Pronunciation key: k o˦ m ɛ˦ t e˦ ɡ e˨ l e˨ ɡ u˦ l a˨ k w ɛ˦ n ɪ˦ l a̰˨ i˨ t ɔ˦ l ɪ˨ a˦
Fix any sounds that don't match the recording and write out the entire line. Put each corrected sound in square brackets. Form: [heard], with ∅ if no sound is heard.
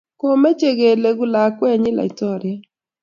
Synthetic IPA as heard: k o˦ m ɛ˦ [t͡ʃ] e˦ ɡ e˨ l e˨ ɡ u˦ l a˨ k w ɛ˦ [ɲ] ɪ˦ l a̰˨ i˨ t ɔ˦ [ɾ] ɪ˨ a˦